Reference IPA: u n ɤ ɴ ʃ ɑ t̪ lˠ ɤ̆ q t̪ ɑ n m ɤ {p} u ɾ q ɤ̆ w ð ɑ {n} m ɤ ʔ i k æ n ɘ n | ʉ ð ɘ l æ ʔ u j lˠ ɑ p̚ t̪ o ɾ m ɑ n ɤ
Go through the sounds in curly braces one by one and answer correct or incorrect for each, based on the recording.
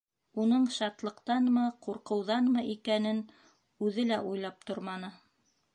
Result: incorrect: q, correct

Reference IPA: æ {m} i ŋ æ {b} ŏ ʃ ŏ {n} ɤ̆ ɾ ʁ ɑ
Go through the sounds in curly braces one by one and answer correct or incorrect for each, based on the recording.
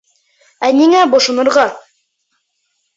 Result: incorrect: n, correct, correct

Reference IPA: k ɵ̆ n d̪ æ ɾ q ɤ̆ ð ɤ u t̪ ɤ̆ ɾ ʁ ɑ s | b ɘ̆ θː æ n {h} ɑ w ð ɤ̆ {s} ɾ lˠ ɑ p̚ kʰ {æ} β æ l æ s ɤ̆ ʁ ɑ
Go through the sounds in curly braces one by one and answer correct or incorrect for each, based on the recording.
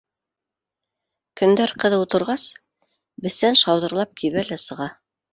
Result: incorrect: ʃ, incorrect: none, incorrect: i

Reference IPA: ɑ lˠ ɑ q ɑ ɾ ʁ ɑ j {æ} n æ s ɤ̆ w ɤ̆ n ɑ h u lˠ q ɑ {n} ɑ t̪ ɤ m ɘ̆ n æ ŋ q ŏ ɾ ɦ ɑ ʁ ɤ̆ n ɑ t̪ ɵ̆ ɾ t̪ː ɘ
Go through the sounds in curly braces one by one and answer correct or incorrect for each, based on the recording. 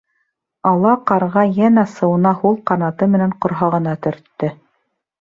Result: correct, correct

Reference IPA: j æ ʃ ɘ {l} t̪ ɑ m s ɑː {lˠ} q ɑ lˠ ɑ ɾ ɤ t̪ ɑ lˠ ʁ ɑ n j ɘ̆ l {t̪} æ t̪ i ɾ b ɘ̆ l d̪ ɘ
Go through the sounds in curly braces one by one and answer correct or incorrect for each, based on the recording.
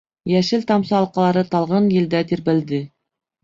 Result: correct, correct, incorrect: d̪

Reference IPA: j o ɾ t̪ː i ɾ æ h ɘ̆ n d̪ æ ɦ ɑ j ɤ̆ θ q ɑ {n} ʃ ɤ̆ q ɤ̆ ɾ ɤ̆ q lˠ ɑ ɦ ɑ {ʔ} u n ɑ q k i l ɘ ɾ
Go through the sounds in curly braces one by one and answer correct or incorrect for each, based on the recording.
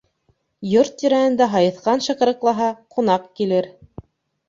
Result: correct, incorrect: q

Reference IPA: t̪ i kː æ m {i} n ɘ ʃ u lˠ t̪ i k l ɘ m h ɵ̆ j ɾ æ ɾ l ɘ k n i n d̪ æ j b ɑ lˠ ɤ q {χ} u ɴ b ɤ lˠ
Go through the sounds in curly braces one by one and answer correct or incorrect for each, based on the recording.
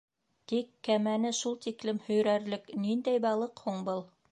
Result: incorrect: æ, incorrect: h

